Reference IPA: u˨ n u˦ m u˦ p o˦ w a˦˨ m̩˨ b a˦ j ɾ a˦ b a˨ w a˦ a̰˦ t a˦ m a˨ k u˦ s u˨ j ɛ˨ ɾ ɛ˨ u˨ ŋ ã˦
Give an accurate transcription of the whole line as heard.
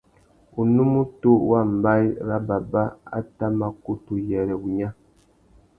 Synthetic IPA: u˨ n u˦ m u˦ t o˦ w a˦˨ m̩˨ b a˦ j ɾ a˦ b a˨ b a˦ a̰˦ t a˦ m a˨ k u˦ t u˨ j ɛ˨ ɾ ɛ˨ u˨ ɲ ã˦